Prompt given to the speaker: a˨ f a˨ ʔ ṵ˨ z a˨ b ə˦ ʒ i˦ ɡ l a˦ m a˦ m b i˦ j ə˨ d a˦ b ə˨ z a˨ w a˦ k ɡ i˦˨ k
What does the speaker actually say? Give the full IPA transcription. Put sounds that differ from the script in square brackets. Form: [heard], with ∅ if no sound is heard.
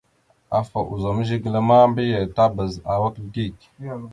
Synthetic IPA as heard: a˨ f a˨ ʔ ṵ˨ z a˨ [m] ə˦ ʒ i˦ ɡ l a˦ m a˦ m b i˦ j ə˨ [t] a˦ b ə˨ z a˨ w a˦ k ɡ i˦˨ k